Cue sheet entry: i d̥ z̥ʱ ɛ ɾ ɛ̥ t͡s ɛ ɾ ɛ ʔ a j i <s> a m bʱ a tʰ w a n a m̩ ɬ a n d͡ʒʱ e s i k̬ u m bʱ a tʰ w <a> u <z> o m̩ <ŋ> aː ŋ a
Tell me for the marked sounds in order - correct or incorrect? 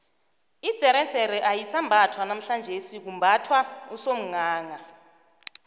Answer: correct, correct, incorrect, correct

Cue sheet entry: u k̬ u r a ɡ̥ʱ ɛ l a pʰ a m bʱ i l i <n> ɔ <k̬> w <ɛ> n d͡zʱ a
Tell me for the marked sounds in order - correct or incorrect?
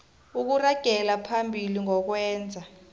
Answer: incorrect, correct, incorrect

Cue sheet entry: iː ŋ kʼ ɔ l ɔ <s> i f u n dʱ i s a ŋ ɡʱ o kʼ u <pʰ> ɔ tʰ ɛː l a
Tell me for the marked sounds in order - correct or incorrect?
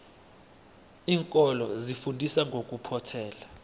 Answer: incorrect, correct

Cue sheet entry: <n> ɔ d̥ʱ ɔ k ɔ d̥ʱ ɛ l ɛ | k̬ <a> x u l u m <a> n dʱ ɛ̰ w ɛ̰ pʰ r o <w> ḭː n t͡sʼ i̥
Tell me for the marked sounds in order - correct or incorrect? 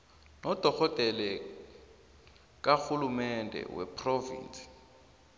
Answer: correct, correct, incorrect, incorrect

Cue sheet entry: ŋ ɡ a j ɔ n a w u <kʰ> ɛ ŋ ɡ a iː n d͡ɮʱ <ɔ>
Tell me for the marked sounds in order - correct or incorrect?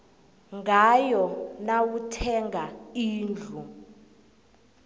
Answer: incorrect, incorrect

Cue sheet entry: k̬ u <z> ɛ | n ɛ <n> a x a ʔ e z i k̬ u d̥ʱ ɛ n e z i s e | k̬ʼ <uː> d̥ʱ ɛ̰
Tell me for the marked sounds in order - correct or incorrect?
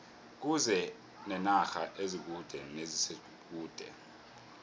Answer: correct, correct, correct

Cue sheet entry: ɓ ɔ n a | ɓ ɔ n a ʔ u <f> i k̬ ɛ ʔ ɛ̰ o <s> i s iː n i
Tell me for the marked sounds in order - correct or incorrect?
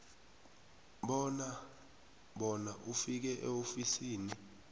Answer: correct, incorrect

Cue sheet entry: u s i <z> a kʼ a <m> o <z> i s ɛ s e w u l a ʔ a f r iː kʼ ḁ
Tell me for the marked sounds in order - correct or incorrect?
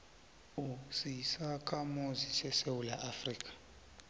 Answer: incorrect, correct, correct

